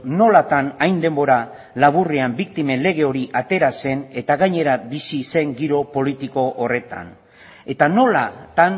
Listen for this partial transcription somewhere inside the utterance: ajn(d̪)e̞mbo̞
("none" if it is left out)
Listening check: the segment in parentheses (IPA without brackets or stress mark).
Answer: d̪